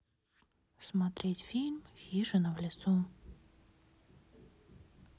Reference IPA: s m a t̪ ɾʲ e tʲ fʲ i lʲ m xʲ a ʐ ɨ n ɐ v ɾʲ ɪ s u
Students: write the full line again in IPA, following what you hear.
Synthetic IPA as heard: s m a t̪ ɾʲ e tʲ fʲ i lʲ m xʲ i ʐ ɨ n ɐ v lʲ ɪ s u